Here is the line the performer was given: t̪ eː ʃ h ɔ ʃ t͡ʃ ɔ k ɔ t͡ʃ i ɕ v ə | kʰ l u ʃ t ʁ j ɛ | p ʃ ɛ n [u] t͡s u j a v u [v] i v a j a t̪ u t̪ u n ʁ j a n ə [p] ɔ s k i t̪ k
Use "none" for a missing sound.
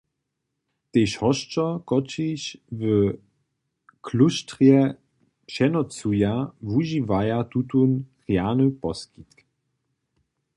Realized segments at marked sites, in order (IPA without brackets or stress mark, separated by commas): ɔ, ʒ, p